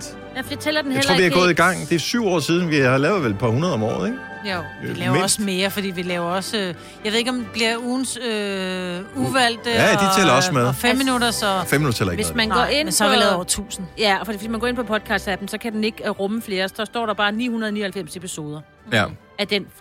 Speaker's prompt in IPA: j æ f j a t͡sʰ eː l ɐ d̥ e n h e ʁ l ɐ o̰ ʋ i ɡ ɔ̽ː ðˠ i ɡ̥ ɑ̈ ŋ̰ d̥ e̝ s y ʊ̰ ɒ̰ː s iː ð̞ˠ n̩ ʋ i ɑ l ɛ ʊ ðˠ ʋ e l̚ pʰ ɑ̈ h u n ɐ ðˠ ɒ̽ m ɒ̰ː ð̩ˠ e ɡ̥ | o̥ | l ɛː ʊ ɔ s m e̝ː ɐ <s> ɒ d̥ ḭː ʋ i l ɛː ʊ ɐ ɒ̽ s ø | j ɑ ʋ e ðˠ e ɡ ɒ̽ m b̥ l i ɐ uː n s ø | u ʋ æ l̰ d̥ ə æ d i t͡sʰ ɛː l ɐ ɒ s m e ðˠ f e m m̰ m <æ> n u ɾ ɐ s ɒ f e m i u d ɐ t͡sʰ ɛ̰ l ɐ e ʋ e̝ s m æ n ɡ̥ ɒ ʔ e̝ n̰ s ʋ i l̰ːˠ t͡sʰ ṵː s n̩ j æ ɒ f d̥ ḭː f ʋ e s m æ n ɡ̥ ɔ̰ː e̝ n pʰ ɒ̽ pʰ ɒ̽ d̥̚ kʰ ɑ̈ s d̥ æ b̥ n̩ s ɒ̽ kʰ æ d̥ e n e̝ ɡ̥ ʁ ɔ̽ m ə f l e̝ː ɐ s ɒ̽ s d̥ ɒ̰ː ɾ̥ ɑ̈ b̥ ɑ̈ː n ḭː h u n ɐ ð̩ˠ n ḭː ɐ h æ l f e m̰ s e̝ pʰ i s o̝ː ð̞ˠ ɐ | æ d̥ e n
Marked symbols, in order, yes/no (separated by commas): no, no